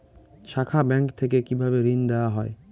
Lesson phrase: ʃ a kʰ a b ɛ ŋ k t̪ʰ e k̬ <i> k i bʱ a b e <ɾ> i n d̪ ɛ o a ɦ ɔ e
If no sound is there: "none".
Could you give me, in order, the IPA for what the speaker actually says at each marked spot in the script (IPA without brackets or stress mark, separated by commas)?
e, ɾ